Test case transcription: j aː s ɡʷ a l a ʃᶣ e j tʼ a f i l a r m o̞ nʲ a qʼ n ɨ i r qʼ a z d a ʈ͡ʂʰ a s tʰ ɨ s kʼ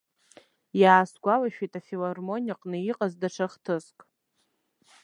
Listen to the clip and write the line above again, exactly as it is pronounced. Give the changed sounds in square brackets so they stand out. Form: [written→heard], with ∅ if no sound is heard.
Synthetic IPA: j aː s ɡʷ a l a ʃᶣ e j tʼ a f i l a r m o̞ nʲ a qʼ n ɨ i [r→∅] qʼ a z d a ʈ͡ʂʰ a [s→χ] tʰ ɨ s kʼ